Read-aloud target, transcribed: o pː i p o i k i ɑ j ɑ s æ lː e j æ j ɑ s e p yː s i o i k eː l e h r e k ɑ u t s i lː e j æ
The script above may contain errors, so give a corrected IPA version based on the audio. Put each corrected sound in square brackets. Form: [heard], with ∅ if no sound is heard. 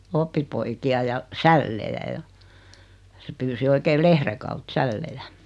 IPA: o pː i p o i k i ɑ j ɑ s æ lː e j æ j ɑ s e p yː s i o i k eː l e h r e k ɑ u t s [æ] lː e j æ